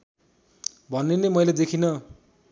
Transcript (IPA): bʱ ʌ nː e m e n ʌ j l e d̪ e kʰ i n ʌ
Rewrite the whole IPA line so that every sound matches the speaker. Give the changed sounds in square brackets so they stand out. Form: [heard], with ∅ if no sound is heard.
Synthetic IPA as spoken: bʱ ʌ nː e [n] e [m] ʌ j l e d̪ e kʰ i n ʌ

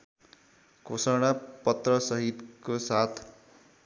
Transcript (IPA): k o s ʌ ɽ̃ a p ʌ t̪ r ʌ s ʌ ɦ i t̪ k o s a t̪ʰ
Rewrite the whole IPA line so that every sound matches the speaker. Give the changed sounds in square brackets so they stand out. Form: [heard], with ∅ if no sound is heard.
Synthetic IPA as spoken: k o s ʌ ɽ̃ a p ʌ t̪ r ʌ s ʌ ɦ i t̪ k o s a t̪ʰ

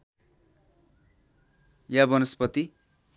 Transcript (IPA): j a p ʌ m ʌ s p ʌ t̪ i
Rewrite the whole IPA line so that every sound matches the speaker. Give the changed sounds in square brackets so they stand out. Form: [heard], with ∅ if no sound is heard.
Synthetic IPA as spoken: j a [b] ʌ [n] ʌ s p ʌ t̪ i

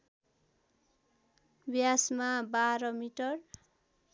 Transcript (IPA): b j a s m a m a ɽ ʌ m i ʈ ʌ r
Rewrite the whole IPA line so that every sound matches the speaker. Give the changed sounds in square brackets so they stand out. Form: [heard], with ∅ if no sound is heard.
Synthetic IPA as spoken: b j a s m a [b] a [ɾ] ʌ m i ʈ ʌ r

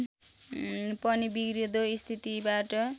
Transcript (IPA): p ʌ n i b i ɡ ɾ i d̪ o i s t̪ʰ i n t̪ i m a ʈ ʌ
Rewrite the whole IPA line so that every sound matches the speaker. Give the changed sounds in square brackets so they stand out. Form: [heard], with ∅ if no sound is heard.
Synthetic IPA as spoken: p ʌ n i b i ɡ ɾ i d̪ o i s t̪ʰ i [∅] t̪ i [b] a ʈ ʌ

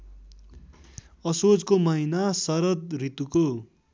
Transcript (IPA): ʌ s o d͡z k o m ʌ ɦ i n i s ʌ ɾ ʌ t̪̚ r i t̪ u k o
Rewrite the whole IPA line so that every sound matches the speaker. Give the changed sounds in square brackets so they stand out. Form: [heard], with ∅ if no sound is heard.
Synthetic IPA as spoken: ʌ s o d͡z k o m ʌ ɦ i n [a] s ʌ ɾ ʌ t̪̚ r i t̪ u k o

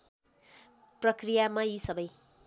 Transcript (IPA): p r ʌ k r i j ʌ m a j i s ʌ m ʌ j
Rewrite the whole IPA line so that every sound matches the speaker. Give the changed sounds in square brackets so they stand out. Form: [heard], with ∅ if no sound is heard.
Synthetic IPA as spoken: p r ʌ k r i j [a] m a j i s ʌ [b] ʌ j

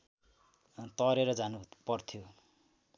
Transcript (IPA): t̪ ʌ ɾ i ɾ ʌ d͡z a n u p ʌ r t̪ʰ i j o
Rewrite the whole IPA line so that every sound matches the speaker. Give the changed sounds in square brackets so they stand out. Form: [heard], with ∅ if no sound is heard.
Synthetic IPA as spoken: t̪ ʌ ɾ [e] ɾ ʌ d͡z a n u p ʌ r t̪ʰ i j o

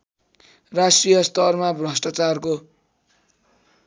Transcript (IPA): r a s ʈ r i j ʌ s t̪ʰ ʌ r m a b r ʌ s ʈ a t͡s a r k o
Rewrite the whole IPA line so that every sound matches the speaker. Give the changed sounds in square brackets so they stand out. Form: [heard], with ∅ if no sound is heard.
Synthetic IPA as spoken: r a s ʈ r i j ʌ s [t̪] ʌ r m a b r ʌ s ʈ a t͡s a r k o

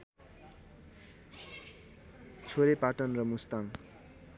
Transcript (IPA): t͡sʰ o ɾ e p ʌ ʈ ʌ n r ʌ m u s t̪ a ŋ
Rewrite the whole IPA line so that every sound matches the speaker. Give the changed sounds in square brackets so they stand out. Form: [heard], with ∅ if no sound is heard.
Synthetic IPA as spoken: t͡sʰ o ɾ e p [a] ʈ ʌ n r ʌ m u s t̪ a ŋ

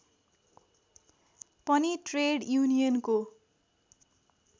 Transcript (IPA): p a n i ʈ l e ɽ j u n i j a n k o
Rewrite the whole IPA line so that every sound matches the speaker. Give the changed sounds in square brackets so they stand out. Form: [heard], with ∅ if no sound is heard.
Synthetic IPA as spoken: p [ʌ] n i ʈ [r] e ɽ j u n i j [ʌ] n k o

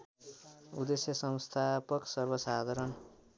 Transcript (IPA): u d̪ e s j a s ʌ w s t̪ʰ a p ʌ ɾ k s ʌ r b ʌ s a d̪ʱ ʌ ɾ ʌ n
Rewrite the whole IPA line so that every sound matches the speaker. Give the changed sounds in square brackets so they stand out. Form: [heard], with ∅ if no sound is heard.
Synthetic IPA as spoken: u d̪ e s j [ʌ] s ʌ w s t̪ʰ a p ʌ [∅] k s ʌ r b ʌ s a d̪ʱ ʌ ɾ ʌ n

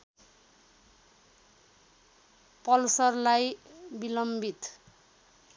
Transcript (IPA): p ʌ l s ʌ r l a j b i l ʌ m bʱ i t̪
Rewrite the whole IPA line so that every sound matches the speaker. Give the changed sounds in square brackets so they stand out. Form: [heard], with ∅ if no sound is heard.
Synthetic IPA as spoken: p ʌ l s ʌ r l a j b i l ʌ m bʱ i t̪

